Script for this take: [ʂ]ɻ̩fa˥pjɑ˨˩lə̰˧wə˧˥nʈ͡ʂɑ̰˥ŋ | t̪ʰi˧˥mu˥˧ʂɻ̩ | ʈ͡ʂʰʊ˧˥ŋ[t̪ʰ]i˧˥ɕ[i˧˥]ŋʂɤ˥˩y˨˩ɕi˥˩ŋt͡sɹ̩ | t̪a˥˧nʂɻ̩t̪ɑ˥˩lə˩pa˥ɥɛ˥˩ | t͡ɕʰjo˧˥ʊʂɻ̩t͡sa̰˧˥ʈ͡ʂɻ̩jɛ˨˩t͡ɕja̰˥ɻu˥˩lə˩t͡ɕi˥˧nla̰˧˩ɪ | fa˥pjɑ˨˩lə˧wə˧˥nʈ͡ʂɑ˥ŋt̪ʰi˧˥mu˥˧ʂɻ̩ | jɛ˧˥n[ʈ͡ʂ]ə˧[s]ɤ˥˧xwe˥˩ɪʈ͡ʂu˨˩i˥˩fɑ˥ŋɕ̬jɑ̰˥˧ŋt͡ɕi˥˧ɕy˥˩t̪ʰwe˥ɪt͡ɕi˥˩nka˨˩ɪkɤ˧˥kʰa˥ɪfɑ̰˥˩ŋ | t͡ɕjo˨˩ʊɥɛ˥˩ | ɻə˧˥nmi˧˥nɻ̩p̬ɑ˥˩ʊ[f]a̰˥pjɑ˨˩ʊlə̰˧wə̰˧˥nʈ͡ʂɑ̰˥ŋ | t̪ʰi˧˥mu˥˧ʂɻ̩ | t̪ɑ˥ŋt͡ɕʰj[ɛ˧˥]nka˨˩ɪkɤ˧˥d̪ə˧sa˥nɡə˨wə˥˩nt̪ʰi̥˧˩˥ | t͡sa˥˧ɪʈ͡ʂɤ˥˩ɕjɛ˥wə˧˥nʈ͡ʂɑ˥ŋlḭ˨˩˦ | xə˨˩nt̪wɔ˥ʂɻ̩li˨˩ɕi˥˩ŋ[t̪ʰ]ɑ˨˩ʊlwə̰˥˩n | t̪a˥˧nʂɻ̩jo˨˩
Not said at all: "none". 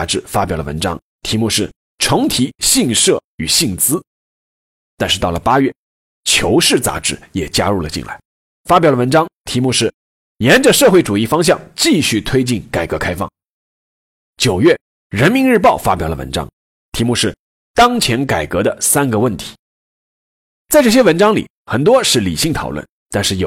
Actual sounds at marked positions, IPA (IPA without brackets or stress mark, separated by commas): ʈ͡ʂ, t̪ʰ, i˥˧, ʈ͡ʂ, ʂ, f, ɛ˧˥, t̪ʰ